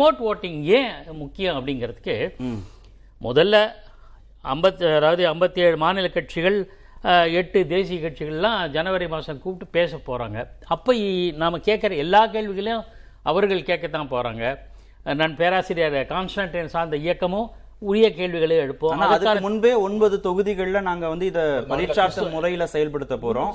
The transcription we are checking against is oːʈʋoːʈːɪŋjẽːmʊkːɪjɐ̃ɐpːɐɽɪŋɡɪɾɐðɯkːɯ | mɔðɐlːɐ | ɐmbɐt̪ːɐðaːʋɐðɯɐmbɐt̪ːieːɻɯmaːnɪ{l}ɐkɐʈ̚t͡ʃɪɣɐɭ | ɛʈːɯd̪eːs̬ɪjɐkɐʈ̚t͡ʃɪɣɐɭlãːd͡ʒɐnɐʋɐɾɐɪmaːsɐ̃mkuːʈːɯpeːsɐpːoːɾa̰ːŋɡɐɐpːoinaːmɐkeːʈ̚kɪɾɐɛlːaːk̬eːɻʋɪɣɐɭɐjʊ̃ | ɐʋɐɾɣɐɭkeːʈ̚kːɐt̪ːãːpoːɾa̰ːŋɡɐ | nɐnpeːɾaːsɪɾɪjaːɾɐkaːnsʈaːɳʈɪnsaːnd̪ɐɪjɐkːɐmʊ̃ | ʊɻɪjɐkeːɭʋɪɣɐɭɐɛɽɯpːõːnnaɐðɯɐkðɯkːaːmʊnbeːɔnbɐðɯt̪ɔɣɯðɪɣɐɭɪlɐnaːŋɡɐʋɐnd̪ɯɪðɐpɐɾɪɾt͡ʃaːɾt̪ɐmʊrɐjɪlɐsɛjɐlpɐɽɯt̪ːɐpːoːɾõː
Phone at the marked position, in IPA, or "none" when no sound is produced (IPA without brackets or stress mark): l